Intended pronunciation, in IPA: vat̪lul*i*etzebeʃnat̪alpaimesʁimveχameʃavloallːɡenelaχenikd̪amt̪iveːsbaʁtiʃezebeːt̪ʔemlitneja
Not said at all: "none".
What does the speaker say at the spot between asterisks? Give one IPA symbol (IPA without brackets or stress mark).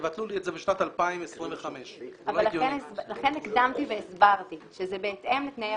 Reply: i